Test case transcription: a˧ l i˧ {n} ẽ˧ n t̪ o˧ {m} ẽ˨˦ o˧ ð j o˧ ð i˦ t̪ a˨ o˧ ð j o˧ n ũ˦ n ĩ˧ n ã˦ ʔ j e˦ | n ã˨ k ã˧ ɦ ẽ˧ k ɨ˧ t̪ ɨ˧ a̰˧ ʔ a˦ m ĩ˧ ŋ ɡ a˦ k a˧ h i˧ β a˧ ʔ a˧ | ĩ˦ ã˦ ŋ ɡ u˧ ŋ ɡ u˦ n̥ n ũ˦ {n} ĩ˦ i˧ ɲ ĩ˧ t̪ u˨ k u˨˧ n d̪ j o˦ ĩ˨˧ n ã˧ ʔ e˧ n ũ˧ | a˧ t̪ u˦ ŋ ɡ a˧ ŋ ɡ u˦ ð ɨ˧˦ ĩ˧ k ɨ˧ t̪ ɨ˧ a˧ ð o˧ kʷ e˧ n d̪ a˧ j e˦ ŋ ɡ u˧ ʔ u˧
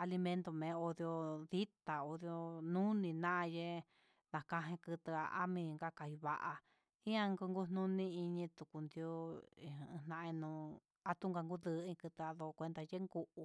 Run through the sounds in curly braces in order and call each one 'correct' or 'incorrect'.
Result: incorrect, correct, correct

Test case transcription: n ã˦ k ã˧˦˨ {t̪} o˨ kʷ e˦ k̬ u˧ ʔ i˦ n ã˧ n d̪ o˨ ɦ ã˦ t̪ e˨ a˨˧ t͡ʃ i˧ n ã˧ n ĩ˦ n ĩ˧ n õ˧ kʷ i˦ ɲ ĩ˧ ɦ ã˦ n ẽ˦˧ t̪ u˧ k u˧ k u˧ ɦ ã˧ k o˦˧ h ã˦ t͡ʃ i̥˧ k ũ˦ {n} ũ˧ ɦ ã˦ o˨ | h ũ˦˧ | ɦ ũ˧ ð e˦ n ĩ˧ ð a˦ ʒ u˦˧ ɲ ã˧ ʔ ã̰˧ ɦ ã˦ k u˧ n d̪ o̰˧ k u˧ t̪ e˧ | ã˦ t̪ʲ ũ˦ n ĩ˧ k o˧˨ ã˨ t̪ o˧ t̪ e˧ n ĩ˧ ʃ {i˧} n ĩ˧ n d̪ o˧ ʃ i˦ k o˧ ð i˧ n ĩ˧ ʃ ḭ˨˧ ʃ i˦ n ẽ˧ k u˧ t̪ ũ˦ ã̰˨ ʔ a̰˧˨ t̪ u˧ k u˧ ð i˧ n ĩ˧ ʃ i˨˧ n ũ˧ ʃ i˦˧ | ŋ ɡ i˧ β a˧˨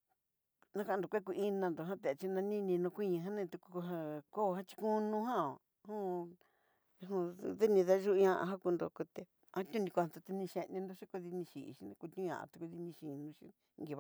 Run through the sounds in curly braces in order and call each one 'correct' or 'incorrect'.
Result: incorrect, correct, incorrect

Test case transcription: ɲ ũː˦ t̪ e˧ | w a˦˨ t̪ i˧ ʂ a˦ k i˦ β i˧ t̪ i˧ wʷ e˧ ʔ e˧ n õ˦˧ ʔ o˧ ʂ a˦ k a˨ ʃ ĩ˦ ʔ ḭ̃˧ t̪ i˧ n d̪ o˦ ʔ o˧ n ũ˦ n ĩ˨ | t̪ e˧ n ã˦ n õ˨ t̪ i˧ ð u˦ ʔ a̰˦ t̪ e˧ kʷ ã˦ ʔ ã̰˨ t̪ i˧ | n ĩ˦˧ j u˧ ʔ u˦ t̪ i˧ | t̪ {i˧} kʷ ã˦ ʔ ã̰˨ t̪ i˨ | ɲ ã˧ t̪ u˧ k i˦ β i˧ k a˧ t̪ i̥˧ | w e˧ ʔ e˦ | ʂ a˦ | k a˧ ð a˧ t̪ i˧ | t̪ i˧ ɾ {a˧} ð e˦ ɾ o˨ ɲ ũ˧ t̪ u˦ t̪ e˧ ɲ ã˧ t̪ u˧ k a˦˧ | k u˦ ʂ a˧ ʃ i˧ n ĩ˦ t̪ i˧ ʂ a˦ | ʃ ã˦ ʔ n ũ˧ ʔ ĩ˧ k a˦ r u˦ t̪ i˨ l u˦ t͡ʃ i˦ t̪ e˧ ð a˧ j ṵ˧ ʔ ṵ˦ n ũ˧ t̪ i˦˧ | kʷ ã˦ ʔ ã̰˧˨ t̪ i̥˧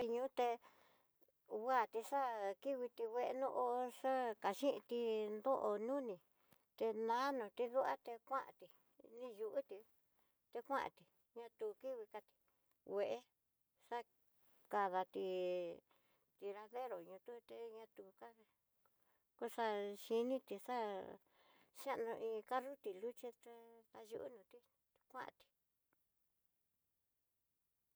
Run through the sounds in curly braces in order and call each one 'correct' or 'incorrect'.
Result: incorrect, correct

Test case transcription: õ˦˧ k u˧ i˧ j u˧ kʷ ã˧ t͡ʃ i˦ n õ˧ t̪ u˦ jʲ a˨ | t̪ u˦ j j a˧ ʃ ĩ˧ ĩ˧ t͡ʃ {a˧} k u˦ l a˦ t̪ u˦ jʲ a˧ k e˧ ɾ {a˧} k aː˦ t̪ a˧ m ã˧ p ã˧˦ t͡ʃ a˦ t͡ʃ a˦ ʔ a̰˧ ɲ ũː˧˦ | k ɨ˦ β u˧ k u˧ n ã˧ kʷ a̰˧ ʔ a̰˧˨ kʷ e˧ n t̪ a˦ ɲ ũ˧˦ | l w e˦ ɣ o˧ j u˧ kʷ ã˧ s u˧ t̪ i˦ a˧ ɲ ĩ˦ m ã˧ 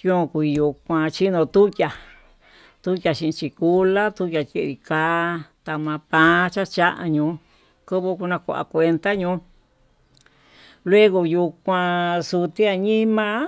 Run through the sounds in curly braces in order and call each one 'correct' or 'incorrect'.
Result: incorrect, incorrect

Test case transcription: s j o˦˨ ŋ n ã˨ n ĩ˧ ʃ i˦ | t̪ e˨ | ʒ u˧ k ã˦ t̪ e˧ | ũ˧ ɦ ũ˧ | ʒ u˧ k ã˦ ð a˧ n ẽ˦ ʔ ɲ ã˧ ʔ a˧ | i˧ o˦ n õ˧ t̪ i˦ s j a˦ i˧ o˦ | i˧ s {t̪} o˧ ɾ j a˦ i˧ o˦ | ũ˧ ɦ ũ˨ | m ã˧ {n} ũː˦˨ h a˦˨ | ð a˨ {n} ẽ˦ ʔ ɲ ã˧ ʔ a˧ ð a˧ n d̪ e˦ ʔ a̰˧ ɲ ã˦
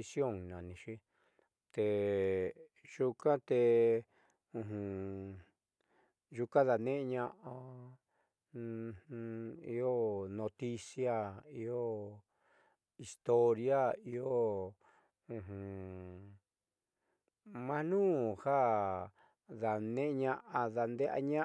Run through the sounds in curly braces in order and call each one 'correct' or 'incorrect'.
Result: correct, correct, correct

